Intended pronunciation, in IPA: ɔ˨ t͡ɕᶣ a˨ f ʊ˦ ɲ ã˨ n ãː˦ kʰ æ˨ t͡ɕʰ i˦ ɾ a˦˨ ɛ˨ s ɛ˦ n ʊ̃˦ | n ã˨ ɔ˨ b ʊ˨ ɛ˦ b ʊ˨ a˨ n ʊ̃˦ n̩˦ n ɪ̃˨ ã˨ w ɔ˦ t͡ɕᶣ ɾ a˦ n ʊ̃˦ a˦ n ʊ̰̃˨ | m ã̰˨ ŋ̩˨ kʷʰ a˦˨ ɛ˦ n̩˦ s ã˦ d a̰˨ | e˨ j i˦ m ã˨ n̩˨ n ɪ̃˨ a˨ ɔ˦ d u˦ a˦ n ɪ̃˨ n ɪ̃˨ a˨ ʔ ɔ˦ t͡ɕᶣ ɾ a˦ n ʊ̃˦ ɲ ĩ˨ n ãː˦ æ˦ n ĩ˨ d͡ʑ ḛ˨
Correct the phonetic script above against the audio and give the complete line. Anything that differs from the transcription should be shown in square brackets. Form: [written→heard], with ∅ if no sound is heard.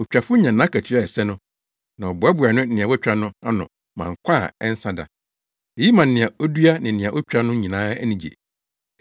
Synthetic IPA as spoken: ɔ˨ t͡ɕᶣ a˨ f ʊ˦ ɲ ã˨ n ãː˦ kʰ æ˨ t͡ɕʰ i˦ ɾ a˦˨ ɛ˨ s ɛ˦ n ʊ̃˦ | n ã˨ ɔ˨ b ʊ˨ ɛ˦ b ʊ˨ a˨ n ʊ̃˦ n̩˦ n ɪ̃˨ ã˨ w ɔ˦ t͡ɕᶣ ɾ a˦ n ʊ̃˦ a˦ n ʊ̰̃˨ | m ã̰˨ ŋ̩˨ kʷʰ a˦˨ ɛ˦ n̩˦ s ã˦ d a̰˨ | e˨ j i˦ m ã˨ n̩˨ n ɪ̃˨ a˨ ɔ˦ d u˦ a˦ n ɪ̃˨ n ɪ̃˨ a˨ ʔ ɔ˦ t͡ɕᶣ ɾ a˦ n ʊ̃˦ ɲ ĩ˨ n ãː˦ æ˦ n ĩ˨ d͡ʑ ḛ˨